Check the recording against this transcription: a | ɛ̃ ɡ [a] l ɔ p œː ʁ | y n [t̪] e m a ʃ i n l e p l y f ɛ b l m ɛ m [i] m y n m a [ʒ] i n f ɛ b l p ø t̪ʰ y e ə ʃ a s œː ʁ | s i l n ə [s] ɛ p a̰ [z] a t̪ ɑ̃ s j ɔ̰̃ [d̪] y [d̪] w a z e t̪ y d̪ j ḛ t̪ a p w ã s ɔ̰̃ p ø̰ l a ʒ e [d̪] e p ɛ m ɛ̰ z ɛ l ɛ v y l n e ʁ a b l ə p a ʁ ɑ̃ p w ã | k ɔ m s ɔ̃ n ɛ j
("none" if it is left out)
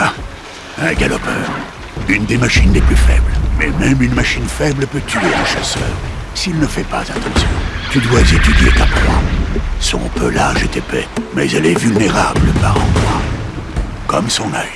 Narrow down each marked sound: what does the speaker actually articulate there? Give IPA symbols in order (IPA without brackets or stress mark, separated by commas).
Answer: a, d̪, ɛ, ʃ, f, z, t̪, d̪, t̪